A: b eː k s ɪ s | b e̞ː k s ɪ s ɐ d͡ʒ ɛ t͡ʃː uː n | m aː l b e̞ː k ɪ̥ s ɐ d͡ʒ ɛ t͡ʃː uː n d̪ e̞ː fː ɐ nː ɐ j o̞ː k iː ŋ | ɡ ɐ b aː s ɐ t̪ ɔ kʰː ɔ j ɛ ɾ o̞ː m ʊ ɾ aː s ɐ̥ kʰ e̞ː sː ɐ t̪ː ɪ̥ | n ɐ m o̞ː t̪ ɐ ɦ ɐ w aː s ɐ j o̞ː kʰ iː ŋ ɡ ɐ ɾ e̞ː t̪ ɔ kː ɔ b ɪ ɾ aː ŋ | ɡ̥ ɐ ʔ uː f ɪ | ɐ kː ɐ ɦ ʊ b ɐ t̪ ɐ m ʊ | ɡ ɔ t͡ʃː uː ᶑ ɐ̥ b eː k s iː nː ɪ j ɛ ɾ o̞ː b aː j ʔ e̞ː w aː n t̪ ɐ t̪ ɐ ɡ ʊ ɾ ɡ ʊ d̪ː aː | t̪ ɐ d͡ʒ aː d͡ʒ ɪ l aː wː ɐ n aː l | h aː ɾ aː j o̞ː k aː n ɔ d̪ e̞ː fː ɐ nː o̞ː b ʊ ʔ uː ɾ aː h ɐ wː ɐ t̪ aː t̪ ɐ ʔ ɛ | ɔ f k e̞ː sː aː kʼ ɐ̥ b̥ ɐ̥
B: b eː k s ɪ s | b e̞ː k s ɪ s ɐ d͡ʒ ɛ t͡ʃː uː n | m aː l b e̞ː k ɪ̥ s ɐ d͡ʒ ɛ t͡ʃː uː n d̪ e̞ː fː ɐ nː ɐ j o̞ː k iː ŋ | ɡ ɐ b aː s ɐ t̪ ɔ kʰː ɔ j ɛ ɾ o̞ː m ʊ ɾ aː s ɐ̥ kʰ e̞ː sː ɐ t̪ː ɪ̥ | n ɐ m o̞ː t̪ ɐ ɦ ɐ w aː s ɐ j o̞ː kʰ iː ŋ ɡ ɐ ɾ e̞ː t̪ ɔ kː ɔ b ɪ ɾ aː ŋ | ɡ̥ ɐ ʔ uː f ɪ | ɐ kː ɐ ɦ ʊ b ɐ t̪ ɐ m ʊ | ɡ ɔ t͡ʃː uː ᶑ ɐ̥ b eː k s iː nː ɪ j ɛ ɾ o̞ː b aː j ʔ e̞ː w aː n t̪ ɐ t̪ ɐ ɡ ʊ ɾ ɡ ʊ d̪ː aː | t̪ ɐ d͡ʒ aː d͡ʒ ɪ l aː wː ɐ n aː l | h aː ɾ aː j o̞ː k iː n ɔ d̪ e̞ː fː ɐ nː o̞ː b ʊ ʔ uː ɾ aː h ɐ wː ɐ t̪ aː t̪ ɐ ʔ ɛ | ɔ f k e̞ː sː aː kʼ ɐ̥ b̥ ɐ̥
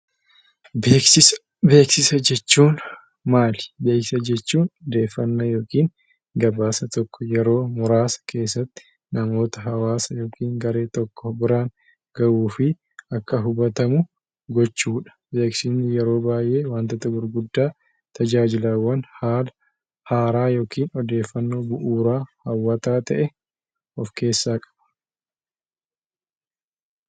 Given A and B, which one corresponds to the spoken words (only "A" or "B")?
B